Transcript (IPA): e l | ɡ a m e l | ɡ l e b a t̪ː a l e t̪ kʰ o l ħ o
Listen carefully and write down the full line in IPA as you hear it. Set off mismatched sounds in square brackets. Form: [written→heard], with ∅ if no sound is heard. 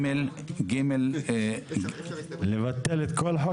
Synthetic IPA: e l | ɡ [a→i] m e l | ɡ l e [b→v] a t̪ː [a→e] l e t̪ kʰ o l ħ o

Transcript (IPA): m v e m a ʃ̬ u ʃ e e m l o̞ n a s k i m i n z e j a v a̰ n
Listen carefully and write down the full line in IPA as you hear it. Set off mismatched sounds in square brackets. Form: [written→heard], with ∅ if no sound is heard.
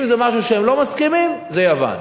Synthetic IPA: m [v→z] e m a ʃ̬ u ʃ e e m l o̞ [n→m] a s k i m i [n→m] z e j a v a̰ n

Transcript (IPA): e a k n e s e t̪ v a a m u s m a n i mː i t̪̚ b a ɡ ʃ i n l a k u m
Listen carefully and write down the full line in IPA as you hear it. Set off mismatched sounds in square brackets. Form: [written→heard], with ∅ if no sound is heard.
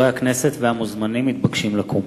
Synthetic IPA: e a k n e s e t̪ v [a→e] a m u [s→z] m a n i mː i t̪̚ b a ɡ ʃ i [n→m] l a k u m

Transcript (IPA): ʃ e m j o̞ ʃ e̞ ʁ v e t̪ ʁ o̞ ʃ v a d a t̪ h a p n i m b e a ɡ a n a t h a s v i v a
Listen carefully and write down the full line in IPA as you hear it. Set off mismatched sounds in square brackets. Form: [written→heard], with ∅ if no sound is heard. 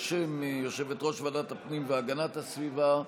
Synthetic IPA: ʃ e m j o̞ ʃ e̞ [ʁ→∅] v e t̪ ʁ o̞ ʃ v a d a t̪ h a p n i m [b→v] e a ɡ a n a t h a s v i v a

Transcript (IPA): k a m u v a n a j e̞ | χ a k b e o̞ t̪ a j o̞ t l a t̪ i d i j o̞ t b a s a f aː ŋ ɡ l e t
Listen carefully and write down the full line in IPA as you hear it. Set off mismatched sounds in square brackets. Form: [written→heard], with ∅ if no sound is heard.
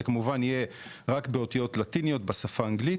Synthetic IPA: k a m u v a n [a→i] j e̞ | [χ→ʁ] a k b e o̞ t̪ [a→i] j o̞ t l a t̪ i [d→n] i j o̞ t b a s a f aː ŋ ɡ l [e→i] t

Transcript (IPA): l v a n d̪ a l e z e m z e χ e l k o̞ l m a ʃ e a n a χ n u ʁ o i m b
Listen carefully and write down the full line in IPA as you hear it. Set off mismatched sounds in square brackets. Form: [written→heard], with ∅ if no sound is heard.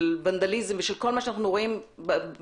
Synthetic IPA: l v a n d̪ a l [e→i] z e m [z→v] e [χ→ʃ] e l k o̞ l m a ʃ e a n a χ n u ʁ o i m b

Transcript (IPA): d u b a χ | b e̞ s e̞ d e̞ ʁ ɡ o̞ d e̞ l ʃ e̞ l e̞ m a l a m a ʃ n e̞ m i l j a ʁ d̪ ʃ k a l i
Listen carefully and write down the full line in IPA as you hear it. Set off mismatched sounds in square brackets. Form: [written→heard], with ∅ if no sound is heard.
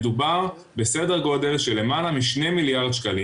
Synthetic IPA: d u b a [χ→ʁ] | b e̞ s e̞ d e̞ ʁ ɡ o̞ d e̞ l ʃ e̞ l e̞ m a l a m [a→i] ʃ n e̞ m i l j a ʁ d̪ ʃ k a l i

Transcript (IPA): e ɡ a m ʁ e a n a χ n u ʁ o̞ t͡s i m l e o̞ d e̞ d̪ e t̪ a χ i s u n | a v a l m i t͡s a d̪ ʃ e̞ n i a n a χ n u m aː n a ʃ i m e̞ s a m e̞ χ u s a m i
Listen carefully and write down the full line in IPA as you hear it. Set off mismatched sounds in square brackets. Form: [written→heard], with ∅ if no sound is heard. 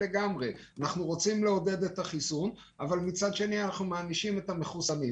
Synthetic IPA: e ɡ a m ʁ e a n a χ n u ʁ o̞ t͡s i m l e o̞ d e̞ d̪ e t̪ a χ i s u n | a v a l m i t͡s a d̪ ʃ e̞ n i a n a χ n u m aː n [a→i] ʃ i m e̞ [s→t] a m e̞ χ u s a m i

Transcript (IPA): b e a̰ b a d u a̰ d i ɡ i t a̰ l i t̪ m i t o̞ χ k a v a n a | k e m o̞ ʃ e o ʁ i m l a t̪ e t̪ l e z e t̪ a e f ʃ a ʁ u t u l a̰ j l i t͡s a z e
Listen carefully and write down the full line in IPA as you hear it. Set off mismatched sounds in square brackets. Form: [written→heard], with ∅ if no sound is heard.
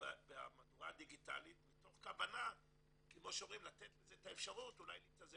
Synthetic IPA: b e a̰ [b→m] a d u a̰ d i ɡ i t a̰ l i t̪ m i t o̞ χ k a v a n a | k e m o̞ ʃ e o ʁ i m l a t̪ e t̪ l e z e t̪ a e f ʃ a ʁ u t u l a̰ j l i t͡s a z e

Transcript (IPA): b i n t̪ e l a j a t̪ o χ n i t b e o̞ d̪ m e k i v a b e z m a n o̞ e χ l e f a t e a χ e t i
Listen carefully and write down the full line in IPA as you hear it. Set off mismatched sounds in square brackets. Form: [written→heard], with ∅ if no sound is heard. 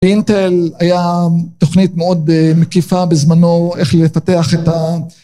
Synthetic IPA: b i n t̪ e l a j a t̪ o χ n i t [b→m] e o̞ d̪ m e k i [v→f] a b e z m a n o̞ e χ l e f a t e a χ e t [i→a]

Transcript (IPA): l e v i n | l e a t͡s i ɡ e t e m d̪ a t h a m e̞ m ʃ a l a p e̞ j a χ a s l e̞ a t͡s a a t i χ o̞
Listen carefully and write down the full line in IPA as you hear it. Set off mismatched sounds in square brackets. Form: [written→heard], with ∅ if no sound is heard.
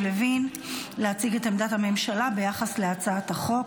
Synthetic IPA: l e v i n | l e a t͡s i ɡ e t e m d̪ a t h a m e̞ m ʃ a l a [p→b] e̞ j a χ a s l e̞ a t͡s a a t [i→a] χ o̞

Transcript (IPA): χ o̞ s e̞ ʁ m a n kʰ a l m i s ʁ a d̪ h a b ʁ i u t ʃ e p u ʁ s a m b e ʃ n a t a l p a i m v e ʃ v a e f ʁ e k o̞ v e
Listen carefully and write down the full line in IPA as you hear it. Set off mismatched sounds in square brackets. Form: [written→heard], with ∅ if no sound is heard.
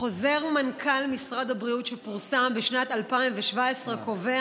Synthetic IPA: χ o̞ [s→z] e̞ ʁ m a n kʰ a l m i s ʁ a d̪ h a b ʁ i u t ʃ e p u ʁ s a m b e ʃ n a t a l p a i m v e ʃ v a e [f→s] ʁ e k o̞ v e

